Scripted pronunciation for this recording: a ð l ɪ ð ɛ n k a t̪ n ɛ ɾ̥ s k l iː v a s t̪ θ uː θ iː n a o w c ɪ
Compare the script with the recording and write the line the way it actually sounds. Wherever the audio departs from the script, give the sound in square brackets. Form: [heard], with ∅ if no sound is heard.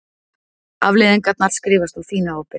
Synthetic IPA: a [v] l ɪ ð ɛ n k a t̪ n [a] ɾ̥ s k [ɾ] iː v a s t̪ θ [u] θ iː n a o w [p] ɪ

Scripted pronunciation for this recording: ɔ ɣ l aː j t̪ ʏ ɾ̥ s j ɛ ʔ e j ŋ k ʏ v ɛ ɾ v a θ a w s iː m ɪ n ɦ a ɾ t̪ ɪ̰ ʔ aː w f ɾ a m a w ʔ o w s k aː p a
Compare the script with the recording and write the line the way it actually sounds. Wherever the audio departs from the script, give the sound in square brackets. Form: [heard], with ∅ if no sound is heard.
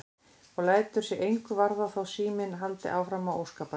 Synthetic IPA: ɔ ɣ l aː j t̪ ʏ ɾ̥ s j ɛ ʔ e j ŋ k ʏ v [a] ɾ [ð] a θ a w s iː m ɪ n ɦ a [l] t̪ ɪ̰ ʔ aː w f ɾ a m a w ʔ o w s k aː p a

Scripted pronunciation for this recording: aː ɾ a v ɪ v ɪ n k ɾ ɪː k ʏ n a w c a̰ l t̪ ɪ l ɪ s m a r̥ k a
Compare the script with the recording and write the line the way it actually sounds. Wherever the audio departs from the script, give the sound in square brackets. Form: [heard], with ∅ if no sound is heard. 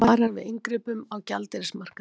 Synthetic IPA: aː ɾ a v ɪ [ð] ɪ [ŋ] k ɾ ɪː [p] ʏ [m] a w c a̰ l t̪ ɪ [ɾ] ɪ s m a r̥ k a

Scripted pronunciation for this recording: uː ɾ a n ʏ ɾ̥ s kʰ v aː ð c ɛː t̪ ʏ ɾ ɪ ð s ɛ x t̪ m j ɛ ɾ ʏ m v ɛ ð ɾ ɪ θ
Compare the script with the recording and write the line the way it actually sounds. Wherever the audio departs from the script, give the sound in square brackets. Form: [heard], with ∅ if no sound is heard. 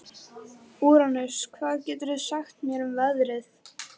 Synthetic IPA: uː ɾ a n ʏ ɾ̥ s kʰ v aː ð c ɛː t̪ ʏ ɾ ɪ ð s [a] x t̪ m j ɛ ɾ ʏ m v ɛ ð ɾ ɪ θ

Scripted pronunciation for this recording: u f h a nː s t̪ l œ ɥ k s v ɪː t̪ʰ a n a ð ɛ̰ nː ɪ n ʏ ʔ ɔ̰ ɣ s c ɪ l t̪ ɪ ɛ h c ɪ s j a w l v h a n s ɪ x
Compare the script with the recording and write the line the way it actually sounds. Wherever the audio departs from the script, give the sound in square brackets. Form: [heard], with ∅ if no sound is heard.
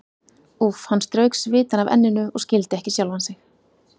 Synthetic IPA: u f h a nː s t̪ [ɾ] œ ɥ k s v ɪː [t̪] a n a [v] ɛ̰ nː ɪ n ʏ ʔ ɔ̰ ɣ s c ɪ l t̪ ɪ ɛ h c ɪ s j a w l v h a n s ɪ x

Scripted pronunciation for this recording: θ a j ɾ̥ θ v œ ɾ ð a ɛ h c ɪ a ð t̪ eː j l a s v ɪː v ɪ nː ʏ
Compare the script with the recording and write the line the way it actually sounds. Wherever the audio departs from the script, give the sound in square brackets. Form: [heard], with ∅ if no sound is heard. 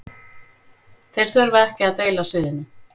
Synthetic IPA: θ [e] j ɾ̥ θ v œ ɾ [v] a ɛ h c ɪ a ð t̪ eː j l a s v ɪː [ð] ɪ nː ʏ

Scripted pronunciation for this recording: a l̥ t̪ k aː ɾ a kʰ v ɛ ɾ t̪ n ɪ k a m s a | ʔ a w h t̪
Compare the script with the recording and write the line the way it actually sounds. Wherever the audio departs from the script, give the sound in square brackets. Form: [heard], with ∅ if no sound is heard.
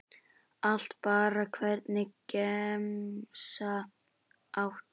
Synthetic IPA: a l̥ t̪ [p] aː ɾ a kʰ v ɛ ɾ t̪ n ɪ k [ɛ] m s a | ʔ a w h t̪

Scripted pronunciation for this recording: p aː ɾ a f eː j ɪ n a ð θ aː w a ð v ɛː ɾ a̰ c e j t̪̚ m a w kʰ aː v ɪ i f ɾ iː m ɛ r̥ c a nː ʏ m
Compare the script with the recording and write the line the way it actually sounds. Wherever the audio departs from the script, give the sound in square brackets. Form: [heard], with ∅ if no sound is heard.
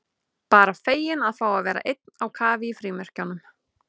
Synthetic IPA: p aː ɾ a f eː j ɪ n a ð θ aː w a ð v ɛː ɾ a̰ [ʔ] e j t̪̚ [n] a w kʰ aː v ɪ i f ɾ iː m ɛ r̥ c a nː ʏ m

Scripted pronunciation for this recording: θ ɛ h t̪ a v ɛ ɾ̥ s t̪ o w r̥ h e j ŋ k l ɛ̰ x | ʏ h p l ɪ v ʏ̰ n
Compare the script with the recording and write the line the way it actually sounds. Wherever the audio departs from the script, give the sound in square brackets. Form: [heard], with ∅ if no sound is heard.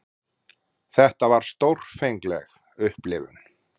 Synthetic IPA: θ ɛ h t̪ a v [a] ɾ̥ s t̪ o w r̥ [f] e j ŋ k l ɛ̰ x | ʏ h p l ɪ v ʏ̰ n

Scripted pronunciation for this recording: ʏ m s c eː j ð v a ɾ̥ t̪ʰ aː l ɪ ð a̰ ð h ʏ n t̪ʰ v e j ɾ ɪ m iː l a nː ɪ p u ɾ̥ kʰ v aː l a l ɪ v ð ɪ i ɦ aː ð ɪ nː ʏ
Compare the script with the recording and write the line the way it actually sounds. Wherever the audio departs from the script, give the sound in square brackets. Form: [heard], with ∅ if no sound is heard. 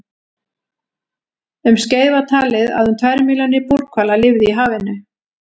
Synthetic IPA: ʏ m s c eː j ð v a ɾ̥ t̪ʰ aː l ɪ ð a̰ ð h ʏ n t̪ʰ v [a] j ɾ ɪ m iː l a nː ɪ p u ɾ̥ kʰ v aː l a l ɪ v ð ɪ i ɦ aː [v] ɪ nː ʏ

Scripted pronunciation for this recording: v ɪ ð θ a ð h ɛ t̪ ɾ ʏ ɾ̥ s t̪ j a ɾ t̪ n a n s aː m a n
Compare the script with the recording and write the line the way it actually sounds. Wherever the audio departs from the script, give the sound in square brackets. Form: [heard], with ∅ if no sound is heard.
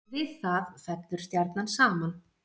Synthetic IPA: v ɪ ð θ a ð [f] ɛ t̪ [l] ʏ ɾ̥ s t̪ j a ɾ t̪ n a n s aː m a n

